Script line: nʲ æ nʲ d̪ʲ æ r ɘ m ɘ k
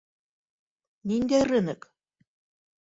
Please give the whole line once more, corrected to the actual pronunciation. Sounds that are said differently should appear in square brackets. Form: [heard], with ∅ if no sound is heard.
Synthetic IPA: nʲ [i] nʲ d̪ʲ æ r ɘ [n] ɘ k